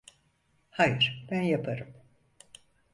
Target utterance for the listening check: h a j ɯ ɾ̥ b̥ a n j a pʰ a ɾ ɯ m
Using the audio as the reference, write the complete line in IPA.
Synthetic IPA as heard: h a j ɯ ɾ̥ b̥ æ n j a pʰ a ɾ ɯ m